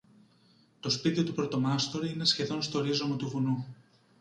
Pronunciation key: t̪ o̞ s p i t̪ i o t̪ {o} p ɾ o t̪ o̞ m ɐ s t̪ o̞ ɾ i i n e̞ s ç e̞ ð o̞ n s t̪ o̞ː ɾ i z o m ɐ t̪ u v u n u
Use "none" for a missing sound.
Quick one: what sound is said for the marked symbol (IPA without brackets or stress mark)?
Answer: u